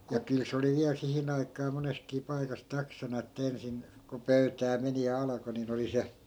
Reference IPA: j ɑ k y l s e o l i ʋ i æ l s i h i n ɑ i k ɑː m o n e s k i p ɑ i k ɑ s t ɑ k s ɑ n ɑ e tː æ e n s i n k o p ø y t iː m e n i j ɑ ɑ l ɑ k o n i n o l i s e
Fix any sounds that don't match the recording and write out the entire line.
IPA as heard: j ɑ k y l s e o l i ʋ i æ l s i h i n ɑ i k ɑː m o n e s k iː p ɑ i k ɑ s t ɑ k s ɑ n ɑ e tː æ e n s i n k o p ø y t æː m e n i j ɑ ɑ l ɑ k o n i n o l i s e

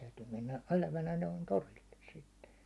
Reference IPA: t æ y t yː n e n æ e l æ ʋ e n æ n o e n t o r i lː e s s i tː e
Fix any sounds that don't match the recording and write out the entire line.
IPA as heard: t æ y t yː m e nː æ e l æ ʋ æ n æ n o i n t o r i lː e s s i tː e

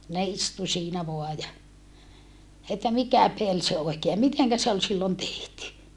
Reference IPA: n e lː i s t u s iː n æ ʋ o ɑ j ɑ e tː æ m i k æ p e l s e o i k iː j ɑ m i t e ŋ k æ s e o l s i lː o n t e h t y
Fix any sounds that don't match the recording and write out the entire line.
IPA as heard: n e i s t u s iː n æ ʋ o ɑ j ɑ e tː æ m i k æ p e l s e o i k eː j ɑ m i t e ŋ k æ s e o l s i lː o n t e h t y

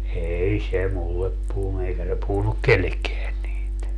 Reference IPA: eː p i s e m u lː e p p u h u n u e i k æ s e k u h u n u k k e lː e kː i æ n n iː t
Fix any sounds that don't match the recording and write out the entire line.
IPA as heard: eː i s e m u lː e p p u h u n u e i k æ s e p u h u n u k k e lː e kː e æ n n iː t

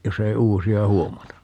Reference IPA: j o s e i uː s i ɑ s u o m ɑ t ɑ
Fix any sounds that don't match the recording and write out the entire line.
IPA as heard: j o s e i uː s i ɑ h u o m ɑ t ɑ

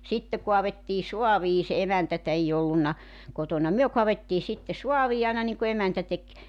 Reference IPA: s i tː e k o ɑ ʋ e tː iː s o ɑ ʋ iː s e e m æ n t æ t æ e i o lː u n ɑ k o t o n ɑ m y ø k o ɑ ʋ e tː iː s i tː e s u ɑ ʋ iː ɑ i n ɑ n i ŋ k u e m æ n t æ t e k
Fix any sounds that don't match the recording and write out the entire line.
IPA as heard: s i tː e k o ɑ ʋ e tː iː s o ɑ ʋ iː s e e m æ n t æ t æ e i o lː u nː ɑ k o t o n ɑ m y ø k o ɑ ʋ e tː iː s i tː e s u ɑ ʋ iː ɑ i n ɑ n i ŋ k u e m æ n t æ t e k

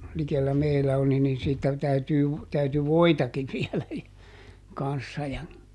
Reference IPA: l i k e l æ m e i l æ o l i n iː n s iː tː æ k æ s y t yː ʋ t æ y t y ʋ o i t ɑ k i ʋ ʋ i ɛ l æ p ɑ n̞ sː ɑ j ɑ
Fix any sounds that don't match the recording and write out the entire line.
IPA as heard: l i k e lː æ m e i l æ o l i n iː n s iː tː æ t æ y t yː ʋ t æ y t y ʋ o i t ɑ k i ʋ ʋ i ɛ l æ k ɑ n̞ sː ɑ j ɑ

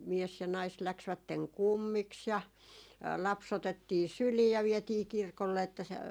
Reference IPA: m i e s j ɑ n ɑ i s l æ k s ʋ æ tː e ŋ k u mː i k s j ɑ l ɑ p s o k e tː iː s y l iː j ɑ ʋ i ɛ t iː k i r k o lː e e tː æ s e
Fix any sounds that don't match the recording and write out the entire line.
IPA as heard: m i e s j ɑ n ɑ i s l æ k s ʋ æ tː e ŋ k u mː i k s j ɑ l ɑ p s o t e tː iː s y l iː j ɑ ʋ i ɛ t iː k i r k o lː e e tː æ s e

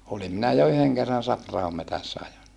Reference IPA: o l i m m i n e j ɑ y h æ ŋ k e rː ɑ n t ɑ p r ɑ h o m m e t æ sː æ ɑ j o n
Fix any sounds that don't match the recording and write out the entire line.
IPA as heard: o l i m m i n æ j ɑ y h e ŋ k e rː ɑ n s ɑ p r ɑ h o m m e t æ sː æ ɑ j o n

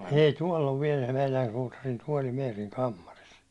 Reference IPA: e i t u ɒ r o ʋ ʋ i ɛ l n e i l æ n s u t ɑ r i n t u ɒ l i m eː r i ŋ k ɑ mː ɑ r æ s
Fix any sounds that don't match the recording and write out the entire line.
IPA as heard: e i t u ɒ l o ʋ ʋ i ɛ l m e i l æ n s uː t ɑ r i n t u ɒ l i m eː r i ŋ k ɑ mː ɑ r i s

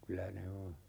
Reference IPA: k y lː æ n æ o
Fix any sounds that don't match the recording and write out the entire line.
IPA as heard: k y l æ n e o

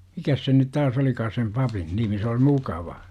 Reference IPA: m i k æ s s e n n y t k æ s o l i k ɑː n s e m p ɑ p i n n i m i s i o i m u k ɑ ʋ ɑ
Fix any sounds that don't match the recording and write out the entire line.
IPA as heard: m i k æ s s e n n y t t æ s o l i k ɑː s e m p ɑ p i n n i m i s e o i m u k ɑ ʋ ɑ

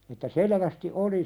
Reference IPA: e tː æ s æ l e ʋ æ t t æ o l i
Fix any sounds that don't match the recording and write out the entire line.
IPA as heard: e tː æ s e l e ʋ æ s t i o l i

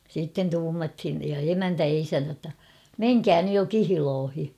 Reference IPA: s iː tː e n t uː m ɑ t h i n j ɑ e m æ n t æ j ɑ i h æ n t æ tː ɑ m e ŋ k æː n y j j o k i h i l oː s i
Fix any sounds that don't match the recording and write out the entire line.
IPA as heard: s iː tː e n t uː m ɑ t h i n j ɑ e m æ n t æ j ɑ i s æ n t æ tː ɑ m e ŋ k æː n y j j o k i h i l oː h i

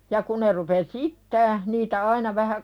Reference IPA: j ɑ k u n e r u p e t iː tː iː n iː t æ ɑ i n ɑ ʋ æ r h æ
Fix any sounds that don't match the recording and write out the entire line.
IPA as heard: j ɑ k u n e r u p e s iː tː æː n iː t æ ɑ i n ɑ ʋ æ h æ

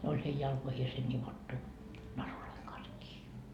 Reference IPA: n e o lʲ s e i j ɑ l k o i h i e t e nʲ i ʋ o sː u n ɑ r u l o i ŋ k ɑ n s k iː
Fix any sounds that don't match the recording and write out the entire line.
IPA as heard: n e o lʲ h e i j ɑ l k o i h i e s e nʲ i ʋ o tː u n ɑ r u l o i ŋ k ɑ n s k iː

